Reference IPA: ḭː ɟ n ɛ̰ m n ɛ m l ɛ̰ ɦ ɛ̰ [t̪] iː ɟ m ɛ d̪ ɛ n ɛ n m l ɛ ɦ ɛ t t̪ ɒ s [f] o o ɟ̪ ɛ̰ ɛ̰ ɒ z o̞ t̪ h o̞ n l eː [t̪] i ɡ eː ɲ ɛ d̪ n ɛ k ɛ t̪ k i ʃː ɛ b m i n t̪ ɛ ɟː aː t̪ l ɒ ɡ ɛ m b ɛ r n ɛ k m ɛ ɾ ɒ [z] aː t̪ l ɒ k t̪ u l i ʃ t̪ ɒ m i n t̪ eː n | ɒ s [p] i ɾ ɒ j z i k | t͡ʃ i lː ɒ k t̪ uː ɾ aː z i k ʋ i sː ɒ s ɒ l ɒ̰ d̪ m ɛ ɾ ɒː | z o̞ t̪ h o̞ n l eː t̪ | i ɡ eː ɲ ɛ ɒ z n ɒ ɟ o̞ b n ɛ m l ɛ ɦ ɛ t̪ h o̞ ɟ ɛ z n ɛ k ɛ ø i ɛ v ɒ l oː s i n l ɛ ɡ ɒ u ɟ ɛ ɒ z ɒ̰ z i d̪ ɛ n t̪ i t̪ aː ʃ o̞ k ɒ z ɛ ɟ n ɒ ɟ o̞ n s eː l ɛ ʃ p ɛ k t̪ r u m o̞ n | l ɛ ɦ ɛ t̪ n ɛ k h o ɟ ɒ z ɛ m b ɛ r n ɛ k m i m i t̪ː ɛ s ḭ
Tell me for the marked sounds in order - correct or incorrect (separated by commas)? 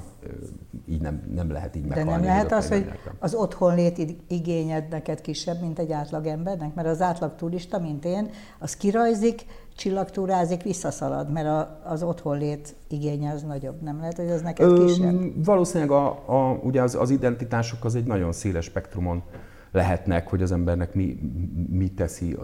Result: correct, incorrect, correct, correct, incorrect